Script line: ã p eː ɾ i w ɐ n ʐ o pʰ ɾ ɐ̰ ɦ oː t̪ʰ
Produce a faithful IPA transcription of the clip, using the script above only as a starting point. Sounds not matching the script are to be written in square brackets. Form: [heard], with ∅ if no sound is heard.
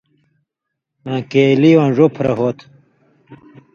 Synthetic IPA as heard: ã [k] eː [l] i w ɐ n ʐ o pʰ ɾ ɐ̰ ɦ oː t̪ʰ